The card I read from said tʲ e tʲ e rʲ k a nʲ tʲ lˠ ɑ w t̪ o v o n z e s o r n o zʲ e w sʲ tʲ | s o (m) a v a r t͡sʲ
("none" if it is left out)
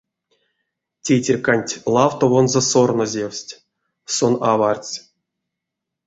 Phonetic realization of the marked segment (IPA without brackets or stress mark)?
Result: n